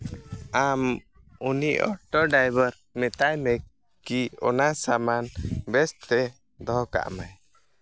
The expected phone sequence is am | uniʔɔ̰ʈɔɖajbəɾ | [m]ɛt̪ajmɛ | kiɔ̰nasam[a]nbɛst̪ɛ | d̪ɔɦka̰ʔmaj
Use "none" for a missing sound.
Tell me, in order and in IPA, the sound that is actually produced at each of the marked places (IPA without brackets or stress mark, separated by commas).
m, a